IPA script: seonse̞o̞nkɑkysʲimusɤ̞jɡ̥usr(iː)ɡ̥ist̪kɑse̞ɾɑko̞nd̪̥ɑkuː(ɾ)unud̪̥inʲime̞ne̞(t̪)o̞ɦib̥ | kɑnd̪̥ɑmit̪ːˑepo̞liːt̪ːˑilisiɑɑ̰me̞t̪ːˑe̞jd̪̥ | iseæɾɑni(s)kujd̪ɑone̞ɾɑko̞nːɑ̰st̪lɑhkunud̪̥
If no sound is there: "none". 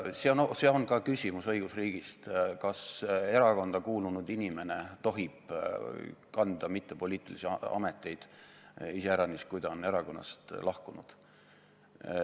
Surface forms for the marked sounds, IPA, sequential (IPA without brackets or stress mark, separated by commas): iː, l, t̪, s